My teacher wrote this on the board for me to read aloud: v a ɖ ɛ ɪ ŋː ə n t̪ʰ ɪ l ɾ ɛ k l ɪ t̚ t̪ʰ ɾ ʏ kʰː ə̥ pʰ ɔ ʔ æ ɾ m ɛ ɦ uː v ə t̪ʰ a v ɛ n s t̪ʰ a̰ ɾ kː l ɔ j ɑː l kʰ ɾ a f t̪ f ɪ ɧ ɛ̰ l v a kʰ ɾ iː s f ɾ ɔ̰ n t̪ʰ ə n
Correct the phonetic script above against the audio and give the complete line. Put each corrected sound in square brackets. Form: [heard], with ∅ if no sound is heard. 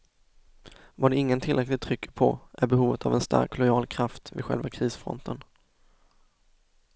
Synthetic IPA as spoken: v a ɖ ɛ ɪ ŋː ə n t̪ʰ ɪ l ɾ ɛ k l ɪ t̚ t̪ʰ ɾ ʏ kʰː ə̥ pʰ ɔ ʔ æ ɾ [b] ɛ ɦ uː v ə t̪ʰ a v ɛ n s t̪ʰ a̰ ɾ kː l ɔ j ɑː l kʰ ɾ a f t̪ [v] ɪ ɧ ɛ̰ l v a kʰ ɾ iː s f ɾ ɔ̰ n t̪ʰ ə n

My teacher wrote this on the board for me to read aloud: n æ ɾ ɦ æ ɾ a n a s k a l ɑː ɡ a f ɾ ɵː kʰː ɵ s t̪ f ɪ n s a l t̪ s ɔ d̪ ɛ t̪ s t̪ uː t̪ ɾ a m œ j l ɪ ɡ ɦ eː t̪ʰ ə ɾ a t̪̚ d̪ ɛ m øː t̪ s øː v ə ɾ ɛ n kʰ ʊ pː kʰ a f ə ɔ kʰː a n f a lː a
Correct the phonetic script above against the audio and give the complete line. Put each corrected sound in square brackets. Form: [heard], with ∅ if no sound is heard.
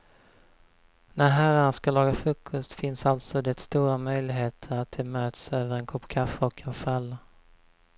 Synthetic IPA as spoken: n æ ɾ ɦ æ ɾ a n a s k a l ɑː ɡ a f ɾ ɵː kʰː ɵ s t̪ f ɪ n s a l t̪ s ɔ d̪ ɛ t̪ s t̪ uː [∅] ɾ a m œ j l ɪ ɡ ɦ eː t̪ʰ ə ɾ a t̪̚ d̪ ɛ m øː t̪ s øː v ə ɾ ɛ n kʰ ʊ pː kʰ a f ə ɔ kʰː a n f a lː a

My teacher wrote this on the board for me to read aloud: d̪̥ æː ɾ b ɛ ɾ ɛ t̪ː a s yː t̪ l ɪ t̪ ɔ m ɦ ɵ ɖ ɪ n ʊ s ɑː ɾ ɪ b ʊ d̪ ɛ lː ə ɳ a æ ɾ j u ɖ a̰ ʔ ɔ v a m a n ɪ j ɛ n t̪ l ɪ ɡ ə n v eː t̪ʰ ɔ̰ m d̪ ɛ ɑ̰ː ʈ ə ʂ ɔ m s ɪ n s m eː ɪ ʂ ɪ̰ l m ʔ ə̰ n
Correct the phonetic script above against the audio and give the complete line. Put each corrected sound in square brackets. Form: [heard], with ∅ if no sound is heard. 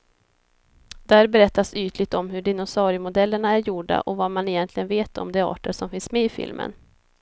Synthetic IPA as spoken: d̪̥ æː ɾ b ɛ ɾ ɛ t̪ː a s yː t̪ l ɪ t̪ ɔ m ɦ ɵ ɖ ɪ n ʊ s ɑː ɾ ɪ [m] ʊ d̪ ɛ lː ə ɳ a æ ɾ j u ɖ a̰ ʔ ɔ v a m a n ɪ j ɛ n t̪ l ɪ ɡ ə n v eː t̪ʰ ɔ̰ m d̪ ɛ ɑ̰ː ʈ ə ʂ ɔ m [f] ɪ n s m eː ɪ [f] ɪ̰ l m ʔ ə̰ n

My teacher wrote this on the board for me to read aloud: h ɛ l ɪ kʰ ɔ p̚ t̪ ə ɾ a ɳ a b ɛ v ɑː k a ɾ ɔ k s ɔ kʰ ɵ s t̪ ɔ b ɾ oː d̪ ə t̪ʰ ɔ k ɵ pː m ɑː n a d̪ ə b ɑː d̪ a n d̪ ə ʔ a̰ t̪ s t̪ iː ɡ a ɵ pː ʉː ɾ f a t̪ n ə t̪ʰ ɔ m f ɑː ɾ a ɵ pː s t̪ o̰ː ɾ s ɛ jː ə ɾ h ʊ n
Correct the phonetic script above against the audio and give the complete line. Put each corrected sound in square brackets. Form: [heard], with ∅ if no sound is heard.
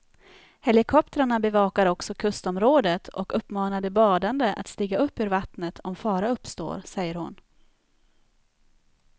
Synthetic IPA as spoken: h ɛ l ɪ kʰ ɔ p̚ t̪ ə ɾ a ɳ a b ɛ v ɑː k a ɾ ɔ k s ɔ kʰ ɵ s t̪ ɔ [m] ɾ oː d̪ ə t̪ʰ ɔ k ɵ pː m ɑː n a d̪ ə b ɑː d̪ a n d̪ ə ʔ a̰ t̪ s t̪ iː ɡ a ɵ pː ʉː ɾ [v] a t̪ n ə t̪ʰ ɔ m f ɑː ɾ a ɵ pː s t̪ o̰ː ɾ s ɛ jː ə ɾ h ʊ n

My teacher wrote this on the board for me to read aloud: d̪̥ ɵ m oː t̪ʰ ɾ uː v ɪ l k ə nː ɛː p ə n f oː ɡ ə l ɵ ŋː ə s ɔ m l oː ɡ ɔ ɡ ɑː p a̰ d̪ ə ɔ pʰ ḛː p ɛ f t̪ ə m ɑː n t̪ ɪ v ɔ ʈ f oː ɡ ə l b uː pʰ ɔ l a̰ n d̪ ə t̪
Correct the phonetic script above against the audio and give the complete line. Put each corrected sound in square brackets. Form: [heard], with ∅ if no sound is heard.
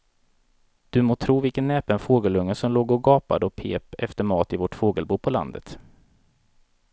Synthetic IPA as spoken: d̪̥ ɵ m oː t̪ʰ ɾ uː v ɪ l k ə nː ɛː p ə n f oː ɡ ə l ɵ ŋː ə s ɔ m l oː ɡ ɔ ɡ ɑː p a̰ d̪ ə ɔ pʰ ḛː p ɛ f t̪ ə m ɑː [∅] t̪ ɪ v ɔ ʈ f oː ɡ ə l b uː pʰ ɔ l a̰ n d̪ ə t̪

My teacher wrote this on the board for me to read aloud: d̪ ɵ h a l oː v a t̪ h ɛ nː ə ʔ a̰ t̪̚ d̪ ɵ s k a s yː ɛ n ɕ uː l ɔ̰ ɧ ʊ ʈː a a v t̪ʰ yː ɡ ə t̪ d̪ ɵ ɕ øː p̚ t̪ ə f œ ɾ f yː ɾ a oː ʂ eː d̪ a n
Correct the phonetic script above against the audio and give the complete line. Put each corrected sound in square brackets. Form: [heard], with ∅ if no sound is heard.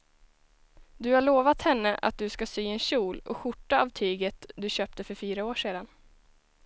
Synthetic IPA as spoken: d̪ ɵ h a [ɭ] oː v a t̪ h ɛ nː ə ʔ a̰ t̪̚ d̪ ɵ s k a s yː ɛ n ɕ uː l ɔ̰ ɧ ʊ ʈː a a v t̪ʰ yː ɡ ə t̪ d̪ ɵ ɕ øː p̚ t̪ ə f œ ɾ f yː ɾ a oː ʂ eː d̪ a n

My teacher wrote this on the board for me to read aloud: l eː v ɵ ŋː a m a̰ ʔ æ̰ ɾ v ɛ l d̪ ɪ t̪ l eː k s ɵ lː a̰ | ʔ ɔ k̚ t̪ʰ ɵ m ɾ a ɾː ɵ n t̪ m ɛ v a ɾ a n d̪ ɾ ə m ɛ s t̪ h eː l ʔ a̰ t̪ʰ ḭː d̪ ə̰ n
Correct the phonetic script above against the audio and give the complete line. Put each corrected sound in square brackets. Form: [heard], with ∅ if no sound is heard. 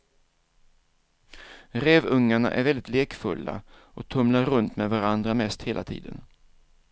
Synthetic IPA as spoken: [ɾ] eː v ɵ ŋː a [ɳ] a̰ ʔ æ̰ ɾ v ɛ l d̪ ɪ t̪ l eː k [f] ɵ lː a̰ | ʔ ɔ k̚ t̪ʰ ɵ m [l] a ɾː ɵ n t̪ m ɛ v a ɾ a n d̪ ɾ [a] m ɛ s t̪ h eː l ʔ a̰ t̪ʰ ḭː d̪ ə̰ n

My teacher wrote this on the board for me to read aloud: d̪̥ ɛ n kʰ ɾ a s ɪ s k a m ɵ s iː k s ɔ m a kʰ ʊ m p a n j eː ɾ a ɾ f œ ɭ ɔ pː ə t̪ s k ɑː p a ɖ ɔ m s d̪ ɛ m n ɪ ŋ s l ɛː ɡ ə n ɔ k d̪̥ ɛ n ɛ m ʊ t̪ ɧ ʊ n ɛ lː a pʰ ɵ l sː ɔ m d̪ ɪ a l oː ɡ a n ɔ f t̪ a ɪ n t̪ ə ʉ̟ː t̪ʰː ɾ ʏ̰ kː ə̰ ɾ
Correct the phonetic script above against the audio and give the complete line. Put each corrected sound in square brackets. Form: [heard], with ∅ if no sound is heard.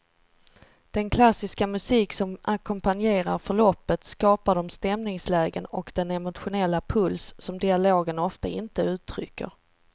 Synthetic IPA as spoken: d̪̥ ɛ n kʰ [l] a s ɪ s k a m ɵ s iː k s ɔ m a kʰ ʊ m p a n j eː ɾ a ɾ f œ ɭ ɔ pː ə t̪ s k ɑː p a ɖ ɔ m s [t̪] ɛ m n ɪ ŋ s l ɛː ɡ ə n ɔ k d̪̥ ɛ n ɛ m ʊ t̪ ɧ ʊ n ɛ lː a pʰ ɵ l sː ɔ m d̪ ɪ a l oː ɡ [ə] n ɔ f t̪ a ɪ n t̪ ə ʉ̟ː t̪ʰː ɾ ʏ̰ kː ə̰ ɾ

